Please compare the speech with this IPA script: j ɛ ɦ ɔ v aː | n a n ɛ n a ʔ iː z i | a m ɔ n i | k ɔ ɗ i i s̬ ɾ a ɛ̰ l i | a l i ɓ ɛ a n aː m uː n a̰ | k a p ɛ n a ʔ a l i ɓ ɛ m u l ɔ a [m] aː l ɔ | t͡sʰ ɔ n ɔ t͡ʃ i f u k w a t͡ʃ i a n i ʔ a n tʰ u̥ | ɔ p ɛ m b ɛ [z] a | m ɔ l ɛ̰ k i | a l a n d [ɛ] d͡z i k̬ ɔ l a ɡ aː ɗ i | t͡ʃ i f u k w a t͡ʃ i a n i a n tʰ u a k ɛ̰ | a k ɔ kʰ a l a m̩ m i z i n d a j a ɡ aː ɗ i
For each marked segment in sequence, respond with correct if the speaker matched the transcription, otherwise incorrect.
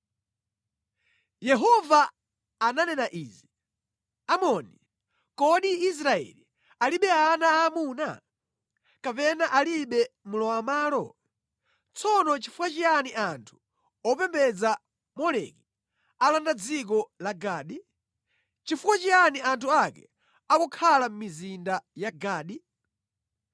correct, incorrect, incorrect

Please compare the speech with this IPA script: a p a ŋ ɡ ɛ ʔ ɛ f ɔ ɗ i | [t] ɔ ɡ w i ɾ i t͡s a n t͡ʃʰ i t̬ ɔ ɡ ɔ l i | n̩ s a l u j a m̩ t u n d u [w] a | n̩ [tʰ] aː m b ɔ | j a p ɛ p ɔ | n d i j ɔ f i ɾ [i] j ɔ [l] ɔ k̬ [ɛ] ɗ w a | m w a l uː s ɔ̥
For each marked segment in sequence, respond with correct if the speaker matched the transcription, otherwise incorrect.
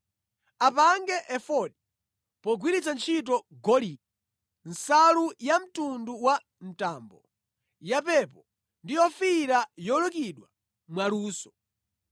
incorrect, correct, incorrect, incorrect, correct, incorrect

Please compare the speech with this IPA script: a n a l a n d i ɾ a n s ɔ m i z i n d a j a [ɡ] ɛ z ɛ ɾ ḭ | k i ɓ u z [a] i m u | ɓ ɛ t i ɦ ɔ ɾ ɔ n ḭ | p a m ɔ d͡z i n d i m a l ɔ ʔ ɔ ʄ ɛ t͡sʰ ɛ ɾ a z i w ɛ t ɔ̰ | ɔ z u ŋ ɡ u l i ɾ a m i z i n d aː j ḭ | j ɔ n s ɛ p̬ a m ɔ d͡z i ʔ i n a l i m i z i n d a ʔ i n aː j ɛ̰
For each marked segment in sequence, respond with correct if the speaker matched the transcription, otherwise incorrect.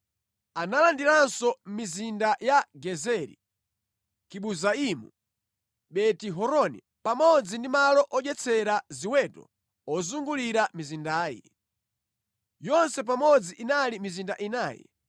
correct, correct

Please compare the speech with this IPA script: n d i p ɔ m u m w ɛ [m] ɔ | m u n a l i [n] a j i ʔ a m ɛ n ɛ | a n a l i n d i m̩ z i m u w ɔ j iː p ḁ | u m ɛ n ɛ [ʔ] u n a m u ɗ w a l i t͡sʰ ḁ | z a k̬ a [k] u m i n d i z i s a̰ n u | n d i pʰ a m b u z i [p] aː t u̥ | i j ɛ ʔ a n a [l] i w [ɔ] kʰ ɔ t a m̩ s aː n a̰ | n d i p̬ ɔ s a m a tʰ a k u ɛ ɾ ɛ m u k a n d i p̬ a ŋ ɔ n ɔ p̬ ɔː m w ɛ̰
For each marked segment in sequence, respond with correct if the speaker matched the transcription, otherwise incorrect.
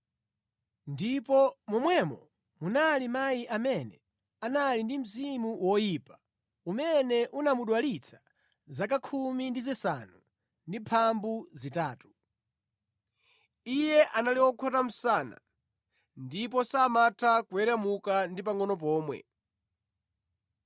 correct, incorrect, correct, incorrect, incorrect, correct, correct

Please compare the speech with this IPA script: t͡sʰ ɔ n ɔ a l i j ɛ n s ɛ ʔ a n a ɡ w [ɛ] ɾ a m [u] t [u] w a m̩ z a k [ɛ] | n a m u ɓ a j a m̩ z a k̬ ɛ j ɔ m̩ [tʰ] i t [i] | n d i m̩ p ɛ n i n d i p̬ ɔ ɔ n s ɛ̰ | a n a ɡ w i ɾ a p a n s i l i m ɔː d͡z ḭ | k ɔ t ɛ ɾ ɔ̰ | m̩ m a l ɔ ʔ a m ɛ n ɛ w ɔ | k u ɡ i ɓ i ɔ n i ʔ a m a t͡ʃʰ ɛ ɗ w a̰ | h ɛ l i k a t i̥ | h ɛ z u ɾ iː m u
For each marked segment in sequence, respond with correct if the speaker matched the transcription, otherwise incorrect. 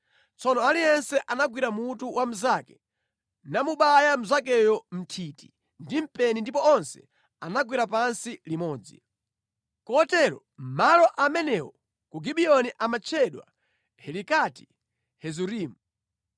incorrect, correct, correct, correct, correct, correct

